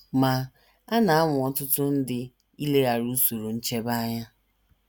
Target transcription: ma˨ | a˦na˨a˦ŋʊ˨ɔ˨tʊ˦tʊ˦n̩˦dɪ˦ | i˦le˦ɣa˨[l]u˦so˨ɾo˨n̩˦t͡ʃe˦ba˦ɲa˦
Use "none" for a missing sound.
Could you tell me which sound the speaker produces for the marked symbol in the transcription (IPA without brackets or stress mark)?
ɾ